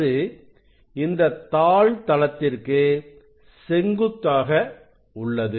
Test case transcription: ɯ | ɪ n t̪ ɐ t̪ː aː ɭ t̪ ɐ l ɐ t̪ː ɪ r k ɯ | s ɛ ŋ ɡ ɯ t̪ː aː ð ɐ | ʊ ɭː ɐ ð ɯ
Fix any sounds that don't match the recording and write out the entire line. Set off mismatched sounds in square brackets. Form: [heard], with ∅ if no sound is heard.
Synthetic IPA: ɯ | ɪ n [d̪] ɐ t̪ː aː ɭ t̪ ɐ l ɐ t̪ː ɪ r k ɯ | s ɛ ŋ ɡ ɯ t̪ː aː [ɣ] ɐ | ʊ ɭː ɐ ð ɯ